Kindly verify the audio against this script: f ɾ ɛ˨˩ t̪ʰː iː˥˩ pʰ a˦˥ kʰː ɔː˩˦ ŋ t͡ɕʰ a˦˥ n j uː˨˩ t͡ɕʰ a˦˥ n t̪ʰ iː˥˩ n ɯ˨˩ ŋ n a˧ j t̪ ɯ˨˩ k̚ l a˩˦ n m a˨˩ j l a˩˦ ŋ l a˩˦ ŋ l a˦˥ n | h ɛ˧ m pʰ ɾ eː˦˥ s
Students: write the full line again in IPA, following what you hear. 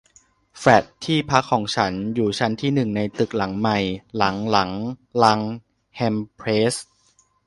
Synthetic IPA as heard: f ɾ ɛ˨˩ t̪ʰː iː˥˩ pʰ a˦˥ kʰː ɔː˩˦ ŋ t͡ɕʰ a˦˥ n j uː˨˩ t͡ɕʰ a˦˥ n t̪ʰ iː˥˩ n ɯ˨˩ ŋ n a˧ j t̪ ɯ˨˩ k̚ l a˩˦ ŋ m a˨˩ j l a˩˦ ŋ l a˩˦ ŋ l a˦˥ ŋ | h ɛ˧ m pʰ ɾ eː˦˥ s